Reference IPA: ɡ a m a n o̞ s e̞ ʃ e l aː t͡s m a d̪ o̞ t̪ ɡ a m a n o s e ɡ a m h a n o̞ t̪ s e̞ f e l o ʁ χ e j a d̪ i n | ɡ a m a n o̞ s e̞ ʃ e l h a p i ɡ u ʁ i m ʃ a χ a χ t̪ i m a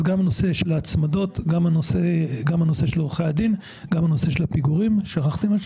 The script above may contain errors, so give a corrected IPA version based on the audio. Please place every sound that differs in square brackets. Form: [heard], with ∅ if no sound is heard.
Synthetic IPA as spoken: ɡ a m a n o̞ s e̞ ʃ e l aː t͡s m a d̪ o̞ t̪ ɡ a m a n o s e ɡ a m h a n o̞ [∅] s e̞ [ʃ] e l o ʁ χ e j a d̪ i n | ɡ a m a n o̞ s e̞ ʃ e l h a p i ɡ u ʁ i m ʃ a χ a χ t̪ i m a